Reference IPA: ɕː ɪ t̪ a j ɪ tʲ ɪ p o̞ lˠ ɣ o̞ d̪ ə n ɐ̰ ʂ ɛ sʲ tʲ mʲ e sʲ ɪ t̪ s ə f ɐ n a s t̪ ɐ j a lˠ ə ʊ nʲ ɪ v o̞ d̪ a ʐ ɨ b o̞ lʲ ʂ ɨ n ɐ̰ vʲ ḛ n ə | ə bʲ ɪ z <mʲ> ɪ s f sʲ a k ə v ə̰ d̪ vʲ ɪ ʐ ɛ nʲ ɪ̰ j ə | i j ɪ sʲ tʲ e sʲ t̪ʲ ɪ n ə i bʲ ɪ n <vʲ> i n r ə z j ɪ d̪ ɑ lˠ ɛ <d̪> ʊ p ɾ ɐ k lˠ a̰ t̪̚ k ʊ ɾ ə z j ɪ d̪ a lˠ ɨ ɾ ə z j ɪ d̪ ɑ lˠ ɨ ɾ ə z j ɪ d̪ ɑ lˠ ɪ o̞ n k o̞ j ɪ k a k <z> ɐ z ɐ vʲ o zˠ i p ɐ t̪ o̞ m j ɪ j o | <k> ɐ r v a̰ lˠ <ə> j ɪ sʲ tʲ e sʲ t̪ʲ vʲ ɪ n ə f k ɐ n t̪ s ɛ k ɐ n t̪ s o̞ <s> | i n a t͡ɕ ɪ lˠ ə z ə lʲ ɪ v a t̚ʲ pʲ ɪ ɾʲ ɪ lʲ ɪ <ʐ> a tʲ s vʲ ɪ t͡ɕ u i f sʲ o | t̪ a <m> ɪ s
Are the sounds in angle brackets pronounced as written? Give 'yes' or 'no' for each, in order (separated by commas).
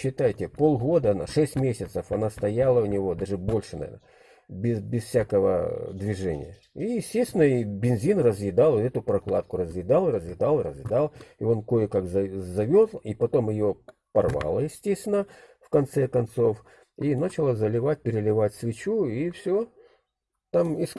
no, no, no, yes, no, yes, no, no, yes